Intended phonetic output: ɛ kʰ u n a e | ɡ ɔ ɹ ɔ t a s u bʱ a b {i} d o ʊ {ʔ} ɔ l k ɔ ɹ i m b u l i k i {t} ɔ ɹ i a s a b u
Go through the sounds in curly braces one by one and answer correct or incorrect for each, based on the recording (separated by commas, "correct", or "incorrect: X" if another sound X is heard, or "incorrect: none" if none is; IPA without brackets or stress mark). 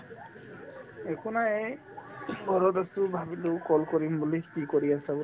correct, incorrect: k, incorrect: k